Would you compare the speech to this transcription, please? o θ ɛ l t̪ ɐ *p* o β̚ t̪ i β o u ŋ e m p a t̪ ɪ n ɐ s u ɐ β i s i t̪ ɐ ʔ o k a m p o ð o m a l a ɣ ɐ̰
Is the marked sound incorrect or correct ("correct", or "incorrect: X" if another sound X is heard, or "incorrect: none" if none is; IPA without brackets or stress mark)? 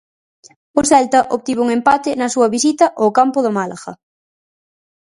incorrect: ʔ